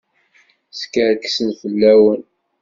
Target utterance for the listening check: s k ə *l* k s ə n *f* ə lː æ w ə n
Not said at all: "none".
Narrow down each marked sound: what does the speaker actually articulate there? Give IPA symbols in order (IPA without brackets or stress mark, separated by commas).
ɾ, f